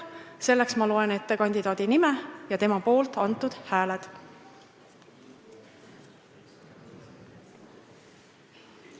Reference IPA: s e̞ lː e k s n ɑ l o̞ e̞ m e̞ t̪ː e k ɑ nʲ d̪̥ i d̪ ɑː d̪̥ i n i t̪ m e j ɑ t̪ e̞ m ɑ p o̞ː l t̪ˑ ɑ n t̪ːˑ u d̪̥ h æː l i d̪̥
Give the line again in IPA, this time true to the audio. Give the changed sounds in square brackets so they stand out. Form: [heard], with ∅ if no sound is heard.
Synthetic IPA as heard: s e̞ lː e k s [m] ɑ l o̞ e̞ [n] e̞ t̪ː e k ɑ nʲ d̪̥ i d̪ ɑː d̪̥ i n i [∅] m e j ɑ t̪ e̞ m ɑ p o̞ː l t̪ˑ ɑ n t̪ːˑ u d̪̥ h æː l [e] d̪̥